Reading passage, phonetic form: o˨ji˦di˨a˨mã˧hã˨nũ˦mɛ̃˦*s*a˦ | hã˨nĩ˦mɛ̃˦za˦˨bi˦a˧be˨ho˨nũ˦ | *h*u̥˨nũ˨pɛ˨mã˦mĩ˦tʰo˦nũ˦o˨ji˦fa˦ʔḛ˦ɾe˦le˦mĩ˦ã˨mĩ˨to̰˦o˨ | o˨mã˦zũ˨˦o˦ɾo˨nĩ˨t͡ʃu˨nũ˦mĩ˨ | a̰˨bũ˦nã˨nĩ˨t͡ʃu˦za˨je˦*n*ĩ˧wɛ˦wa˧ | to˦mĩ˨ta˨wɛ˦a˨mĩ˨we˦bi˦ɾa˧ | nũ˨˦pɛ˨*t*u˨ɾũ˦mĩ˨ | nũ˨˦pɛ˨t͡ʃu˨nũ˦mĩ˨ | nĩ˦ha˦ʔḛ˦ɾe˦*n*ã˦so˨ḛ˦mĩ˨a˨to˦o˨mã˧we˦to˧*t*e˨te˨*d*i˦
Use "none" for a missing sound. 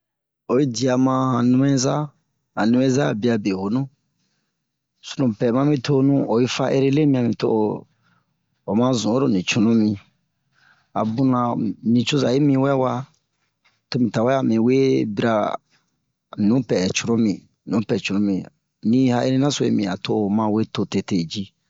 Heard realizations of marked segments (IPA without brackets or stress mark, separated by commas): z, s, m, t͡ʃ, n, t, d͡ʒ